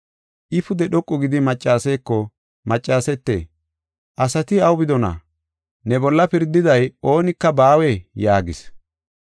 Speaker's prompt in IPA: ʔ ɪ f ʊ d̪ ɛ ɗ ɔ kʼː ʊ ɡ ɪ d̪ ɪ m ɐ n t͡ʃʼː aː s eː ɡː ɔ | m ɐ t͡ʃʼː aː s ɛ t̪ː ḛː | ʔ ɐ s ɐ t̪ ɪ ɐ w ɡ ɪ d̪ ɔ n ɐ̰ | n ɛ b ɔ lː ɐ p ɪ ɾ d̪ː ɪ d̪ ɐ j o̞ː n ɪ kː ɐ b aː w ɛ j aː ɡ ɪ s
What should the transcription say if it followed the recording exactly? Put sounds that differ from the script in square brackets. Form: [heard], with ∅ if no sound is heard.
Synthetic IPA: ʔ ɪ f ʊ d̪ ɛ ɗ ɔ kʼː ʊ ɡ ɪ d̪ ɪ m ɐ [∅] t͡ʃʼː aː s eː [kː] ɔ | m ɐ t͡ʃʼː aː s ɛ t̪ː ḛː | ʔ ɐ s ɐ t̪ ɪ ɐ w [b] ɪ d̪ ɔ n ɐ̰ | n ɛ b ɔ lː ɐ p ɪ ɾ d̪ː ɪ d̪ ɐ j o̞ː n ɪ kː ɐ b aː w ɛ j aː ɡ ɪ s

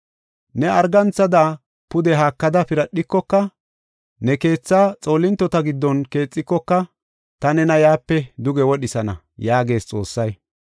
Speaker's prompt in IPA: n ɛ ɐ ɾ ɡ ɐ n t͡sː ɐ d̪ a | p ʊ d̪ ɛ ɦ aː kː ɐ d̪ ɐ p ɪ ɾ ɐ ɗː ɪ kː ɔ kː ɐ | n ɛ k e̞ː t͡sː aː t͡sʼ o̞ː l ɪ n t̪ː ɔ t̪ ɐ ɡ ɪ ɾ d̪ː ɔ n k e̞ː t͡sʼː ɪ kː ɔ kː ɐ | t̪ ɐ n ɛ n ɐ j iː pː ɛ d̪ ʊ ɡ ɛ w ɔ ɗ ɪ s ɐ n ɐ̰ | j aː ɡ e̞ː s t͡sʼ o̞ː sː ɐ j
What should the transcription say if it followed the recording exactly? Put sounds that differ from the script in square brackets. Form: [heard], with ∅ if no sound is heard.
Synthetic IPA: n ɛ ɐ ɾ ɡ ɐ n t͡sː ɐ d̪ a | p ʊ d̪ ɛ ɦ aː kː ɐ d̪ ɐ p ɪ ɾ ɐ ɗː ɪ kː ɔ kː ɐ | n ɛ k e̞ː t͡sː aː t͡sʼ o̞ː l ɪ n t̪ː ɔ t̪ ɐ ɡ ɪ [∅] d̪ː ɔ n k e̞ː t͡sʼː ɪ kː ɔ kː ɐ | t̪ ɐ n ɛ n ɐ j [aː] pː ɛ d̪ ʊ ɡ ɛ w ɔ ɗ ɪ s ɐ n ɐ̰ | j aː ɡ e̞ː s t͡sʼ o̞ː sː ɐ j

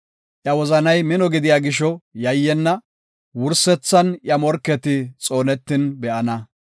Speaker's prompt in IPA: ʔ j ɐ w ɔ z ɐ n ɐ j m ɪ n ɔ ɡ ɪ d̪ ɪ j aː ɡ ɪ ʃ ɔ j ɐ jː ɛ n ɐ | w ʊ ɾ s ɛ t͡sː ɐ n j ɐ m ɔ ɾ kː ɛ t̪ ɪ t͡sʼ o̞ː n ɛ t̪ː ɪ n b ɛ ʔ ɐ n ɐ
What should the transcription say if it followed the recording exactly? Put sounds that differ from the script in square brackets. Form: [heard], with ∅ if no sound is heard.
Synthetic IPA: ʔ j ɐ w ɔ z ɐ n ɐ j m ɪ n ɔ ɡ ɪ d̪ ɪ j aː ɡ ɪ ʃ ɔ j ɐ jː ɛ [nː] ɐ | w ʊ ɾ s ɛ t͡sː ɐ n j ɐ m ɔ ɾ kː ɛ t̪ ɪ t͡sʼ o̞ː n ɛ t̪ː ɪ n b ɛ ʔ ɐ n ɐ

